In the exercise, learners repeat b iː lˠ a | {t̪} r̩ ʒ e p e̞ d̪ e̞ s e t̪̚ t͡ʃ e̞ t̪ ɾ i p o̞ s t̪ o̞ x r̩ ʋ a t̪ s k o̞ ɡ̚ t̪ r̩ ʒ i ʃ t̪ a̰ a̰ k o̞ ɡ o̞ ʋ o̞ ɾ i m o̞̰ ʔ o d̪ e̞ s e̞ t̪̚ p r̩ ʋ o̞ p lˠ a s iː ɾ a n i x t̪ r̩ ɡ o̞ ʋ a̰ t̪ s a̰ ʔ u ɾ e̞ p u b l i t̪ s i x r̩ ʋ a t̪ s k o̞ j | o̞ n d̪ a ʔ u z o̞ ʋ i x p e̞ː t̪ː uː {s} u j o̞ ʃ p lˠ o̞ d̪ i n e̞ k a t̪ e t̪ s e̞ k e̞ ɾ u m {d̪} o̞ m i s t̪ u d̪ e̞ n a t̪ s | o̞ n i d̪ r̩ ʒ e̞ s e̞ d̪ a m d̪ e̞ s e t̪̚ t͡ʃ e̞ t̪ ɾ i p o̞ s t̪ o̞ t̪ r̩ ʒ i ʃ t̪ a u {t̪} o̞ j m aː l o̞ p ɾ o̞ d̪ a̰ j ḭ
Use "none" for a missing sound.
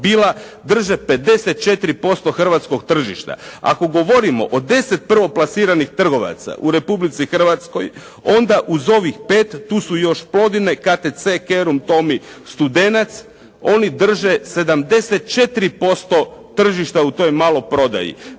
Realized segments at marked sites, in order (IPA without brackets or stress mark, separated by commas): d̪, s, t̪, t̪